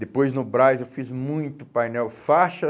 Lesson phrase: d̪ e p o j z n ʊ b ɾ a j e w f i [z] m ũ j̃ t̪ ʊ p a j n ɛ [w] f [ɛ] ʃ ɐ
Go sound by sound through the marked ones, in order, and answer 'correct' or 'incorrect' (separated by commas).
correct, correct, incorrect